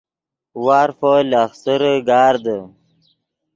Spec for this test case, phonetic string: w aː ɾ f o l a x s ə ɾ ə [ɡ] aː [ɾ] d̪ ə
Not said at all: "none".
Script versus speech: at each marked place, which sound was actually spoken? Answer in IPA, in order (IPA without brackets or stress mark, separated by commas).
ɡ, ɾ